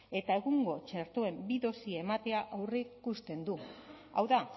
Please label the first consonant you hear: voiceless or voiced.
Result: voiceless